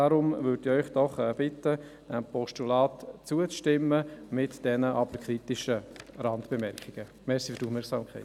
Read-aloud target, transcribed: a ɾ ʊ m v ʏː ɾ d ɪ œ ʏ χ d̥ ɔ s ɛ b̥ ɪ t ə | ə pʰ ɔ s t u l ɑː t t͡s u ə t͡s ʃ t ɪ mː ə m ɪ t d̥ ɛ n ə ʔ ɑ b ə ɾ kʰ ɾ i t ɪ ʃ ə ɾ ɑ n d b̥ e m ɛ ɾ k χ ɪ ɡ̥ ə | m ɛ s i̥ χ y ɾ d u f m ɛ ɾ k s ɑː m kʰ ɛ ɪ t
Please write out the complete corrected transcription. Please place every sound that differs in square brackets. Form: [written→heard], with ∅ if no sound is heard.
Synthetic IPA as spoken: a ɾ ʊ m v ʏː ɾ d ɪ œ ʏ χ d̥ ɔ [s→χ] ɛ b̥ ɪ t ə | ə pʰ ɔ [s→ʃ] t u l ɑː t t͡s u ə t͡s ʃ t ɪ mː ə m ɪ t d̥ ɛ n ə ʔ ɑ b ə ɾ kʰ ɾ i t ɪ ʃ ə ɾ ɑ n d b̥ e m ɛ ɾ k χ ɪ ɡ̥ ə | m ɛ s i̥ [χ→f] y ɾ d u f m ɛ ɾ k s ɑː m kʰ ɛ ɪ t